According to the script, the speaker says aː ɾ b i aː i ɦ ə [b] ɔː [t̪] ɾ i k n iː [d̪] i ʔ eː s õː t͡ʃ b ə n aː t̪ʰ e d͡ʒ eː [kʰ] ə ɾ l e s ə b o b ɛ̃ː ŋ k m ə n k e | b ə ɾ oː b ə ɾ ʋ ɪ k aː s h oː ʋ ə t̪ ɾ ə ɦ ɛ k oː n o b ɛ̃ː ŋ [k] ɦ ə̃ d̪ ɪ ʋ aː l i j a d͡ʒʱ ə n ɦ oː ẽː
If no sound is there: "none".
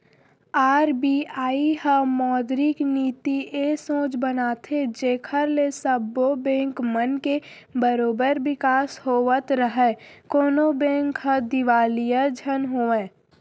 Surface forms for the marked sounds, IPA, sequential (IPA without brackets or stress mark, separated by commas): m, d̪, t̪, kʰ, k